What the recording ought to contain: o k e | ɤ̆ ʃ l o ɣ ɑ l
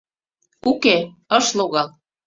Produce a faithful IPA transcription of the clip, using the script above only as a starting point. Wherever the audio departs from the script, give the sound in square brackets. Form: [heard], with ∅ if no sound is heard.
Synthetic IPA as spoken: [u] k e | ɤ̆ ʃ l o ɣ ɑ l